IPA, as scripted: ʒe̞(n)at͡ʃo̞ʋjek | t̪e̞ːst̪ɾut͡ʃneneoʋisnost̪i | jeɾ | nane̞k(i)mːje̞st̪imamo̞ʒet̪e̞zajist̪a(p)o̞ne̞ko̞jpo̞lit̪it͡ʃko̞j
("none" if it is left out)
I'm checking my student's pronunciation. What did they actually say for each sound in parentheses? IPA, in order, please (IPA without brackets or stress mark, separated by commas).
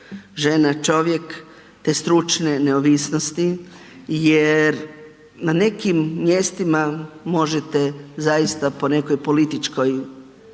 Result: n, i, p